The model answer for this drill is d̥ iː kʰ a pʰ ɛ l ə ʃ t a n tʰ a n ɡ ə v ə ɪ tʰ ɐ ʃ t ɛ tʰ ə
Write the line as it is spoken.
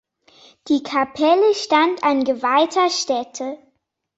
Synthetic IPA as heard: d̥ iː kʰ a pʰ ɛ l ə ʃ t a n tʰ a n ɡ ə v a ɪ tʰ ɐ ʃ t ɛ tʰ ə

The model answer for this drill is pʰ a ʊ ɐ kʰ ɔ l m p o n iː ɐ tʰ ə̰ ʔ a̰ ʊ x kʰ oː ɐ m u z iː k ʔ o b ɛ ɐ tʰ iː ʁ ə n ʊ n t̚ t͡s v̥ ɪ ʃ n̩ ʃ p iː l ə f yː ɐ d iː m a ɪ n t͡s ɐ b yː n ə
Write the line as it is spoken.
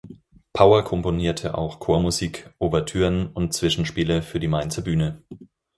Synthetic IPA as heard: pʰ a ʊ ɐ kʰ ɔ m p o n iː ɐ tʰ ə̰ ʔ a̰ ʊ x kʰ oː ɐ m u z iː k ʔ o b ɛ ɐ tʰ yː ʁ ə n ʊ n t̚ t͡s v̥ ɪ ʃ n̩ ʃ p iː l ə f yː ɐ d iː m a ɪ n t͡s ɐ b yː n ə

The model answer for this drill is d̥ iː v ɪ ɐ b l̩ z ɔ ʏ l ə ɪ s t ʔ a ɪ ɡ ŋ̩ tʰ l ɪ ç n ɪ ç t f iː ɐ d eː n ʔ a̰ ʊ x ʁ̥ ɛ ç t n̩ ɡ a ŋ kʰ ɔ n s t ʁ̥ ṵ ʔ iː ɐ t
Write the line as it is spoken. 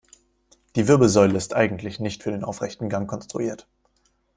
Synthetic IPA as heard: d̥ iː v ɪ ɐ b l̩ z ɔ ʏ l ə ɪ s t ʔ a ɪ ɡ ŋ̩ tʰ l ɪ ç n ɪ ç t f yː ɐ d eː n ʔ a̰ ʊ f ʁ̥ ɛ ç t n̩ ɡ a ŋ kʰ ɔ n s t ʁ̥ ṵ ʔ iː ɐ t

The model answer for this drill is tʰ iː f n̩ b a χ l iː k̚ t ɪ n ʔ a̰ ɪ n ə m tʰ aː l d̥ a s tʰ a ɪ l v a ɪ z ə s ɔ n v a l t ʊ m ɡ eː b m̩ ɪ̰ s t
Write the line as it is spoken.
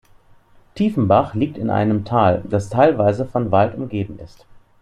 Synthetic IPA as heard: tʰ iː f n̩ b a χ l iː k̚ t ɪ n ʔ a̰ ɪ n ə m tʰ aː l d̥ a s tʰ a ɪ l v a ɪ z ə f ɔ n v a l t ʊ m ɡ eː b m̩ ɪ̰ s t

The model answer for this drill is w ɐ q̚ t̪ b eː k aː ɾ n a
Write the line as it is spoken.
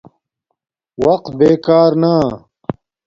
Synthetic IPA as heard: w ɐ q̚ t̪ b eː k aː ɾ n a

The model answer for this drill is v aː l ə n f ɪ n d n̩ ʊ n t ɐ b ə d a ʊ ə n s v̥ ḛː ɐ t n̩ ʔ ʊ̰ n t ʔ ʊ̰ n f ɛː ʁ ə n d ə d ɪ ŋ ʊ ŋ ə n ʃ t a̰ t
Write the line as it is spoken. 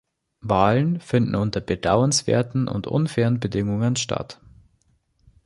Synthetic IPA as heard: v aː l ə n f ɪ n d n̩ ʊ n t ɐ b ə d a ʊ ə n s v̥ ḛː ɐ t n̩ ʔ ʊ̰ n t ʔ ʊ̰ n f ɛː ʁ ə n b ə d ɪ ŋ ʊ ŋ ə n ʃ t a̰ t

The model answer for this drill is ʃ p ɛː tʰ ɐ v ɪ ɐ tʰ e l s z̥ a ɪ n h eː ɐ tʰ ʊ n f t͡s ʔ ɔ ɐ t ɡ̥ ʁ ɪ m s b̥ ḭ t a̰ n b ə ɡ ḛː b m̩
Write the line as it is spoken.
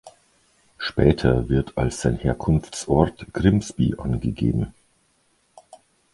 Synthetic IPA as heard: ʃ p ɛː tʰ ɐ v ɪ ɐ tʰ a l s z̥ a ɪ n h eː ɐ kʰ ʊ n f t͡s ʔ ɔ ɐ t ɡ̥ ʁ ɪ m s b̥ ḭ ʔ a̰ n ɡ ə ɡ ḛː b m̩

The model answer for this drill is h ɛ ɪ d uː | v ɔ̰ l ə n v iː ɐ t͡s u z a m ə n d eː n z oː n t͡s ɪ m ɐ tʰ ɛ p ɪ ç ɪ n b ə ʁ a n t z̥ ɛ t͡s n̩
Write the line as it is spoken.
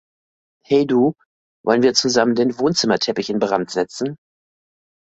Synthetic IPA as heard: h ɛ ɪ d uː | v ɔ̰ l ə n v iː ɐ t͡s u z a m ə n d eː n v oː n t͡s ɪ m ɐ tʰ ɛ p ɪ ç ɪ n b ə ʁ a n t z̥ ɛ t͡s n̩

